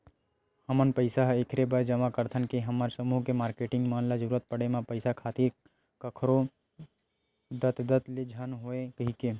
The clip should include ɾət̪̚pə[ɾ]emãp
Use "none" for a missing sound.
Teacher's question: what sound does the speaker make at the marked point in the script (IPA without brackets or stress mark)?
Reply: ɽ